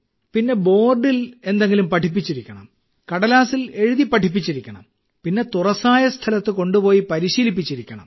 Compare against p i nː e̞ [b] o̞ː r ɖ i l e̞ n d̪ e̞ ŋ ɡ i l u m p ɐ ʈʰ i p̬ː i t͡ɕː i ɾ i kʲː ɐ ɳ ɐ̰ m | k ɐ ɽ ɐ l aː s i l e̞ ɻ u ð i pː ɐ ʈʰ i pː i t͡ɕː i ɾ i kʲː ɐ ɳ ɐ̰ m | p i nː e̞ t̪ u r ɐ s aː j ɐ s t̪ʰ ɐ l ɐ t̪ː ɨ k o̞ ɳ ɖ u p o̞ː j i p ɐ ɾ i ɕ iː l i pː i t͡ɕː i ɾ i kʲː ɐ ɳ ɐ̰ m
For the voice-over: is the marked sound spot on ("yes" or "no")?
yes